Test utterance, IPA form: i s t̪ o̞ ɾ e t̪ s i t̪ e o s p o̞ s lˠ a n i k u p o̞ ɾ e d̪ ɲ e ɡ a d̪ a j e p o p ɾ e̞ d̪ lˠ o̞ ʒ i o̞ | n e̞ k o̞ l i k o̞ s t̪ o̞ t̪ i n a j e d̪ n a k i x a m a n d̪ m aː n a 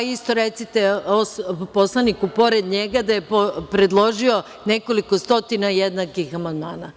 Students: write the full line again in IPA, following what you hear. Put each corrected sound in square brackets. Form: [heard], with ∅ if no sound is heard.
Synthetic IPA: i s t̪ o̞ ɾ e t̪ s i t̪ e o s p o̞ s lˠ a n i k u p o̞ ɾ e d̪ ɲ e ɡ a d̪ a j e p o p ɾ e̞ d̪ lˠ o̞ ʒ i o̞ | n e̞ k o̞ l i k o̞ s t̪ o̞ t̪ i n a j e d̪ n a k i x a m a n d̪ m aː n a